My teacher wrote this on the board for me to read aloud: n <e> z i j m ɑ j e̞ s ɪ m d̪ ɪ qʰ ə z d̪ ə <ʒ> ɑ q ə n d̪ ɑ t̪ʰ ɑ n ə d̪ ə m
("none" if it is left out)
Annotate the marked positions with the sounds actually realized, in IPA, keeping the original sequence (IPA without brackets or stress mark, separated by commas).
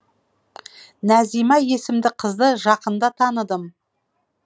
æ, ʒ